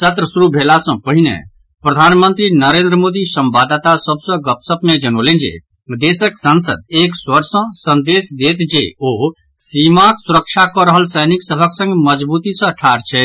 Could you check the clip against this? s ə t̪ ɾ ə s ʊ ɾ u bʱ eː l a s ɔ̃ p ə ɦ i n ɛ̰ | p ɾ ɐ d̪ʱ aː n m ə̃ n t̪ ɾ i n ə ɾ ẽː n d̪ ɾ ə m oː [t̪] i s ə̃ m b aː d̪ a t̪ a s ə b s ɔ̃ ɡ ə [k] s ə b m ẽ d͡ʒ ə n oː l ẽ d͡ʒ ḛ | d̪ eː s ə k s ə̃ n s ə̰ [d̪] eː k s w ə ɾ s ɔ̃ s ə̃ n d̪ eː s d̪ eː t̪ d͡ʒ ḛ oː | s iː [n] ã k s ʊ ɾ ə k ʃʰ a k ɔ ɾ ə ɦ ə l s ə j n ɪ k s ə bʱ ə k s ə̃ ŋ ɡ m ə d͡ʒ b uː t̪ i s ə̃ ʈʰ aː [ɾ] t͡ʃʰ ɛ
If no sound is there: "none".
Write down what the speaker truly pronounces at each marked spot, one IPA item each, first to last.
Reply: d̪, p, d̪, m, ɾ

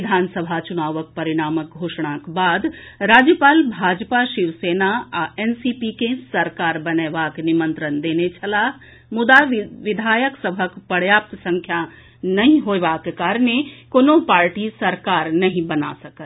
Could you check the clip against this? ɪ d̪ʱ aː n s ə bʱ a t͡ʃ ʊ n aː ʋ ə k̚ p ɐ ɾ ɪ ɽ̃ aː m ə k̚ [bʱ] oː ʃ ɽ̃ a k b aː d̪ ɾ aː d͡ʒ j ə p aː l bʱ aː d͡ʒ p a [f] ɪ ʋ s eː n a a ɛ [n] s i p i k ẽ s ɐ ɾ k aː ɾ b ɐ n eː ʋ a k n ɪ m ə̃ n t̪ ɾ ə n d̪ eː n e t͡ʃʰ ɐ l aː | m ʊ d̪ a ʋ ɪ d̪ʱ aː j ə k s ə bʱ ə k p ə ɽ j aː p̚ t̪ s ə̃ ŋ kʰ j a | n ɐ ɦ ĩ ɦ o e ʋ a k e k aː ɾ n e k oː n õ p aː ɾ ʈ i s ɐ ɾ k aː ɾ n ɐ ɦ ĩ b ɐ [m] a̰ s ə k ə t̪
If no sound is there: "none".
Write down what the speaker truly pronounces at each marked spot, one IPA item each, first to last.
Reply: ɡʱ, ʃ, n, n

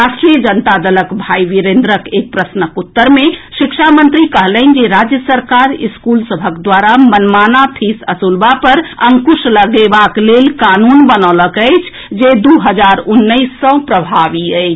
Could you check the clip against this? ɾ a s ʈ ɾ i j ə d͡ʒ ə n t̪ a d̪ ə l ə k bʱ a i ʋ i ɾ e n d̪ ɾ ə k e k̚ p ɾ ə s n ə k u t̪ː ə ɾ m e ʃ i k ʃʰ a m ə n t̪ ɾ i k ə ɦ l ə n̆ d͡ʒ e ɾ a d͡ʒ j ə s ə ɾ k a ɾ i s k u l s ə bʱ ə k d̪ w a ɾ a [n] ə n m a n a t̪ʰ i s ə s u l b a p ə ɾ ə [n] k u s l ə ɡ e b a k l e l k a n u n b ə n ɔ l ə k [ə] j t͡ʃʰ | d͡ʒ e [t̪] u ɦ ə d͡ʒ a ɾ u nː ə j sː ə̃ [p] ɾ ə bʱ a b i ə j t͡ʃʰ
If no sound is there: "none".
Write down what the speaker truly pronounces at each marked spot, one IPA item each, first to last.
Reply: m, ŋ, ə, d̪, p

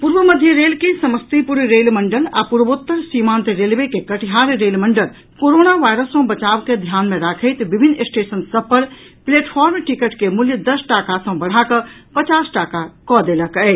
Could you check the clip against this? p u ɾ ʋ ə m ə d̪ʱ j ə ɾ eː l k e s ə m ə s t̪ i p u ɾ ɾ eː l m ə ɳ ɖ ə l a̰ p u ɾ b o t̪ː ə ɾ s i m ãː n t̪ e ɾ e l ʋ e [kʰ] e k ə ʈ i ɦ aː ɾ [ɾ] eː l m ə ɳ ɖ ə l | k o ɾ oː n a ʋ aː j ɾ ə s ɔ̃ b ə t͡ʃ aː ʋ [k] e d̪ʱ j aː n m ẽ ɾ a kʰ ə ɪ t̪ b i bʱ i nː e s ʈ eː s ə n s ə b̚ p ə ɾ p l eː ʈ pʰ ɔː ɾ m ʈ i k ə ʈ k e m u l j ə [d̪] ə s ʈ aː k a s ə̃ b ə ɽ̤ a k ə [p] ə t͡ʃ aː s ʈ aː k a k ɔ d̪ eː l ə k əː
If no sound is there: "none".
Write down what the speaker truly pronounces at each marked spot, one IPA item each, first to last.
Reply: k, ɾ, k, d̪, p

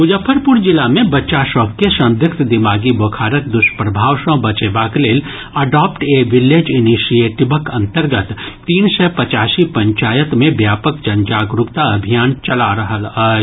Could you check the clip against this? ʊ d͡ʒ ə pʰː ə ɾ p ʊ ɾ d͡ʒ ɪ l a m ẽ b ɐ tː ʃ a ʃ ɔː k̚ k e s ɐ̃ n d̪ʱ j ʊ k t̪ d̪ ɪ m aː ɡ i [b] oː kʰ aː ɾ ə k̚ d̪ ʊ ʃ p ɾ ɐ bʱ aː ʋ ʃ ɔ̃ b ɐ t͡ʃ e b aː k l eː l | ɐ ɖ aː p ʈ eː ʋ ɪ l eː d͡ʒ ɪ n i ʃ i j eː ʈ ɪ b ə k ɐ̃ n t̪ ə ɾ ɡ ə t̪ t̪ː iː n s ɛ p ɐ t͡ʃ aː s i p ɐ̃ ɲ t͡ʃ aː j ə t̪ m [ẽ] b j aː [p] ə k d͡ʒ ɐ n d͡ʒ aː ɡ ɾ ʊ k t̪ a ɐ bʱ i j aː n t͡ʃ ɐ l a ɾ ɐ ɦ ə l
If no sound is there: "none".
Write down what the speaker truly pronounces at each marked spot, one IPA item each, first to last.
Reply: b, ẽ, p

